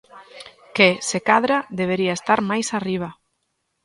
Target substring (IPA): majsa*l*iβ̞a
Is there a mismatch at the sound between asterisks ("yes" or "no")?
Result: yes